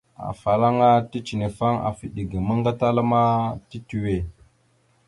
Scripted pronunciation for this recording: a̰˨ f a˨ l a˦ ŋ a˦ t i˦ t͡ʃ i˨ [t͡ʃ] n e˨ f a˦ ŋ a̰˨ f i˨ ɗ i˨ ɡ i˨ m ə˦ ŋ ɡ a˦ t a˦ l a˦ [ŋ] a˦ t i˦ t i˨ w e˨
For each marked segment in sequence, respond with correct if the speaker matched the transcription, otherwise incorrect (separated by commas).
incorrect, incorrect